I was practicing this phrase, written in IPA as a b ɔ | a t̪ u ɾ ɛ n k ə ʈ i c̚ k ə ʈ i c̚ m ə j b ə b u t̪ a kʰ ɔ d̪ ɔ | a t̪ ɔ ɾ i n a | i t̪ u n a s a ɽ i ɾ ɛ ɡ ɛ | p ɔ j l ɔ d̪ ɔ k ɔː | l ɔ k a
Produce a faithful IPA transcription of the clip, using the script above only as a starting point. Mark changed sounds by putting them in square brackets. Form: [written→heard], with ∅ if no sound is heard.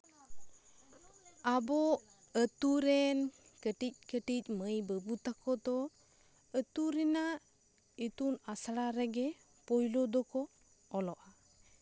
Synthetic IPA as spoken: a b ɔ | [a→ə] t̪ u ɾ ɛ n k ə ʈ i c̚ k ə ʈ i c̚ m ə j b ə b u t̪ a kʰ ɔ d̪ ɔ | [a→ə] t̪ [ɔ→u] ɾ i n a | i t̪ u n a s a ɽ [i→a] ɾ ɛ ɡ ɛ | p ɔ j l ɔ d̪ ɔ k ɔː | l ɔ [k→ʔ] a